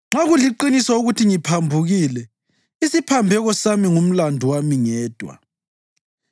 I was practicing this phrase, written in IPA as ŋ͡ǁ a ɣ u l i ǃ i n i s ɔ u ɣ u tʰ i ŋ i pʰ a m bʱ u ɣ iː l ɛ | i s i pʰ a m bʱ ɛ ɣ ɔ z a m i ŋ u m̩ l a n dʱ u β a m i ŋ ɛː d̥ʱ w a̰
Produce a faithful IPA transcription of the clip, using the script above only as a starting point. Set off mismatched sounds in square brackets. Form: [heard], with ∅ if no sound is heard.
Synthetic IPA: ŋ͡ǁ a ɣ u l i ǃ i n i s ɔ u ɣ u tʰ i ŋ i pʰ a m bʱ u ɣ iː l ɛ | i s i pʰ a m bʱ ɛ ɣ ɔ [s] a m i ŋ u m̩ l a n dʱ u [w] a m i ŋ ɛː d̥ʱ w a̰